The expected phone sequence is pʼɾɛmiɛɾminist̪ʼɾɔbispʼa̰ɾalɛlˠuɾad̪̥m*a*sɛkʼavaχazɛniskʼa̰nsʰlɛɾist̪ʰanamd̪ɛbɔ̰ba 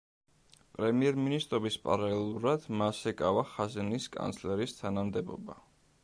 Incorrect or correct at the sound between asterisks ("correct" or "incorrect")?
correct